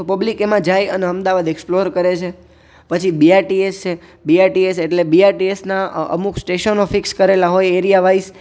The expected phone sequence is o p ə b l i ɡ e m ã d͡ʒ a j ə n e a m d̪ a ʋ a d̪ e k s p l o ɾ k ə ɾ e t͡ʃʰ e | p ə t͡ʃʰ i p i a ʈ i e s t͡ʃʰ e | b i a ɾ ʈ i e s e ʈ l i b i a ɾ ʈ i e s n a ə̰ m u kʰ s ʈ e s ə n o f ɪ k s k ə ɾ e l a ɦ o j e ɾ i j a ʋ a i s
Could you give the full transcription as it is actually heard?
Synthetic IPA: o p ə b l i k e m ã d͡ʒ a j ə n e ə m d̪ a ʋ a d̪ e k s p l o ɾ k ə ɾ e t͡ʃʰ e | p ə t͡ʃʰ i b i a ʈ i e s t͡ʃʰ e | b i a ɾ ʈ i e s e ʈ l e b i a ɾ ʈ i e s n a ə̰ m u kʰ s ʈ e ʃ ə n o f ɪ k s k ə ɾ e l a ɦ o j e ɾ i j a ʋ a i s